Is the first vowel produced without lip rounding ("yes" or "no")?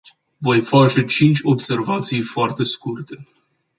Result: no